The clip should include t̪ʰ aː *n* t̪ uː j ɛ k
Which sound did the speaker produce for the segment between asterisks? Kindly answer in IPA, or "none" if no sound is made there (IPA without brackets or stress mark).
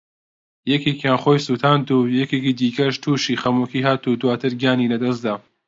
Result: n